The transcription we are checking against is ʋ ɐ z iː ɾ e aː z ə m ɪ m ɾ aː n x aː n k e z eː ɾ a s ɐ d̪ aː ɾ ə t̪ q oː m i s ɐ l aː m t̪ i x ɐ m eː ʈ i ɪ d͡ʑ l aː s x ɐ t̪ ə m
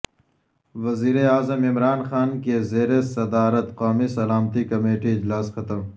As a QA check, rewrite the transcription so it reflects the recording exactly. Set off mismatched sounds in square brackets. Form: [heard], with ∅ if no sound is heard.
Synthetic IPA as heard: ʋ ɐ z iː ɾ e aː z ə m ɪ m ɾ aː n x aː n k e z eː ɾ [e] s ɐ d̪ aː ɾ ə t̪ q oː m i s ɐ l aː m t̪ i [k] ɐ m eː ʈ i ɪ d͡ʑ l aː s x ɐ t̪ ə m